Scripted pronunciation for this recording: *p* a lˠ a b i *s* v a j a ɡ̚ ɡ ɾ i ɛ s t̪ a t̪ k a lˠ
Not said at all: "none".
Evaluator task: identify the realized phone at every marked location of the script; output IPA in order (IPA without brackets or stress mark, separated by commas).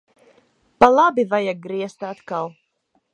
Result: p, none